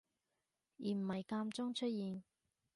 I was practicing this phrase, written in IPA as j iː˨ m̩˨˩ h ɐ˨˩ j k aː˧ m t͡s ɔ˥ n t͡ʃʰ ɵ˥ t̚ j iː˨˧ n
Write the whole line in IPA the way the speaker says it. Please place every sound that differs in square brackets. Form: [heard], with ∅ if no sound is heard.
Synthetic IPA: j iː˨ m̩˨˩ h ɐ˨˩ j k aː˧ m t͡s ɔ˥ [ŋ] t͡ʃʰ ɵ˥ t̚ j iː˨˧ n